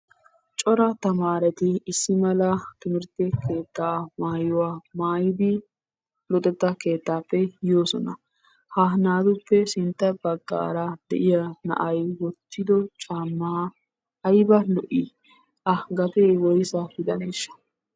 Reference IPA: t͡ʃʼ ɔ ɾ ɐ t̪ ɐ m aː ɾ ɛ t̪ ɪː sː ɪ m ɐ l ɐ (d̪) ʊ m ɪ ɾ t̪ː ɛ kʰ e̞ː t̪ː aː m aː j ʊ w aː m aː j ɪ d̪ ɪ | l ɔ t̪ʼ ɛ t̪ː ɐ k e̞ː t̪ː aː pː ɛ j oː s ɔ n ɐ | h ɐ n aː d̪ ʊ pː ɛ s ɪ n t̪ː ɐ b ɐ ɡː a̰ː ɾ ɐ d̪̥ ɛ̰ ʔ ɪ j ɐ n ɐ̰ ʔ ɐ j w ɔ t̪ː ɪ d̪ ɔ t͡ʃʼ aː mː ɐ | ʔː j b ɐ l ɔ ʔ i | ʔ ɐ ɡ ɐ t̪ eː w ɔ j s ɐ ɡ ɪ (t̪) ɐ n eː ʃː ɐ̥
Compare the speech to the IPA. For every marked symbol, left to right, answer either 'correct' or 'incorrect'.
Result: incorrect, incorrect

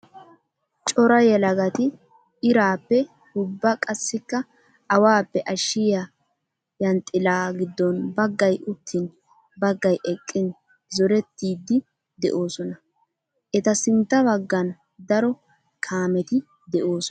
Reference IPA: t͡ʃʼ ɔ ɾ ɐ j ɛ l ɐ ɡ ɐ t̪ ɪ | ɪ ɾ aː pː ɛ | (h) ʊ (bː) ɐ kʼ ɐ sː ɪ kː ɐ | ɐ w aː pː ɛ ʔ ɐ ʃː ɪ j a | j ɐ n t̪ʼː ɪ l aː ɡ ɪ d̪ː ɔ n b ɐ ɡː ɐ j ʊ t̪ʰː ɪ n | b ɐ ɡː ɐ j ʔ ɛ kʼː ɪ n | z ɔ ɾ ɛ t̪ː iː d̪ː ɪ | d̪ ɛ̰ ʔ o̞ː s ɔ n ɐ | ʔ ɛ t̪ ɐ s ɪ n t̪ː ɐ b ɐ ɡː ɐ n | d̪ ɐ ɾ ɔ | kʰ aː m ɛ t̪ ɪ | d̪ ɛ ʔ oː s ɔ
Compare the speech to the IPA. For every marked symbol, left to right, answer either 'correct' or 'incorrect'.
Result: correct, correct

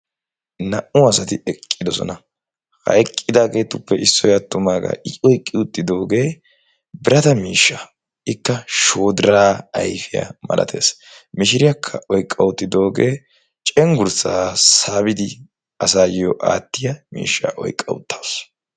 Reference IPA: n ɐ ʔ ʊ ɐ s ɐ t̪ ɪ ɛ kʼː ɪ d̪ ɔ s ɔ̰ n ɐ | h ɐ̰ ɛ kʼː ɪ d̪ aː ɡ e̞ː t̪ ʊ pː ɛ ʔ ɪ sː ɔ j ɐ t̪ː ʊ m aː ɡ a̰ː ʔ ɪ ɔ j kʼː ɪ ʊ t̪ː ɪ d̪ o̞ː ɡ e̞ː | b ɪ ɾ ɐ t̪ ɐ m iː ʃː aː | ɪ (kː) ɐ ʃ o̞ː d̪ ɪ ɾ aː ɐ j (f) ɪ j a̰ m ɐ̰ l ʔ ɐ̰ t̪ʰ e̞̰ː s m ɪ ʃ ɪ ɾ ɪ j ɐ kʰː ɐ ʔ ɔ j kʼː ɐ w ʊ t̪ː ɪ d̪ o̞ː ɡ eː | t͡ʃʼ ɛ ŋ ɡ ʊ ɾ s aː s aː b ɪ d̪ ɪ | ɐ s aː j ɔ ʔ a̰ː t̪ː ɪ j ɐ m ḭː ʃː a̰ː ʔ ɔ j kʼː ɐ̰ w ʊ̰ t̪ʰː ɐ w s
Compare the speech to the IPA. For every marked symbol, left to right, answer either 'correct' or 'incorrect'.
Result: correct, correct

